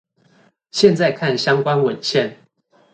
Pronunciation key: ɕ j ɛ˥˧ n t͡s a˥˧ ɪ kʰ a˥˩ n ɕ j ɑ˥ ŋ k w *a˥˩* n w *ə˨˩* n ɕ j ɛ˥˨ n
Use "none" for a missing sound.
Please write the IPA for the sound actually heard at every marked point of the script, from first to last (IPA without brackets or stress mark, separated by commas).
a˦, ə˨˩